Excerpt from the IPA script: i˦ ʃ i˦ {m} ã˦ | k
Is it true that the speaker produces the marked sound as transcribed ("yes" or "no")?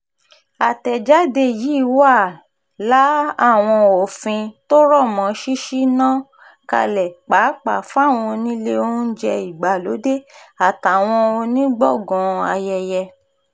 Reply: no